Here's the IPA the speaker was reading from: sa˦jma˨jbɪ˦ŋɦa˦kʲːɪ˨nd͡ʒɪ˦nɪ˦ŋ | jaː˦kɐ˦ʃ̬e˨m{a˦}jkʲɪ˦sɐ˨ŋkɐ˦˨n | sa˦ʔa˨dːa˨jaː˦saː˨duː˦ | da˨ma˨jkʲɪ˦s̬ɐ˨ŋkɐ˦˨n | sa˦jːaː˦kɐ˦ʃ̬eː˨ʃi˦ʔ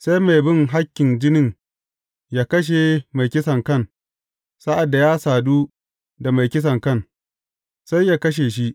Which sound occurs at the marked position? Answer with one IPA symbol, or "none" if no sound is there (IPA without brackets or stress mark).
a˨